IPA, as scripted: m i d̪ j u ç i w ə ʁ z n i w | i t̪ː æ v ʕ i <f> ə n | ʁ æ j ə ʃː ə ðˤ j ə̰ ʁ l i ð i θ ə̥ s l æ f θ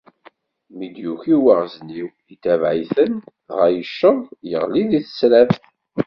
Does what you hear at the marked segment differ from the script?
yes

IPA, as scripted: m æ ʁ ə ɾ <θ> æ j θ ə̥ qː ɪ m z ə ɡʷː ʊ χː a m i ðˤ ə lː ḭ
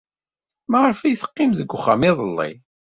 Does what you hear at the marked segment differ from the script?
yes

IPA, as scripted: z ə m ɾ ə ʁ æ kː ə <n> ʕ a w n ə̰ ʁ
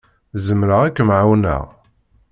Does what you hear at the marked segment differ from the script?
yes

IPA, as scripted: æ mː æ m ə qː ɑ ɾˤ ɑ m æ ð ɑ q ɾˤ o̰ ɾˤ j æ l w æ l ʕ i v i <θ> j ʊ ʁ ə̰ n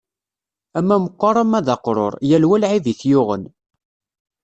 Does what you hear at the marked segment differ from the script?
no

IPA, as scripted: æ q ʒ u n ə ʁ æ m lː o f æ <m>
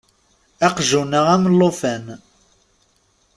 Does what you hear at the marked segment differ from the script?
yes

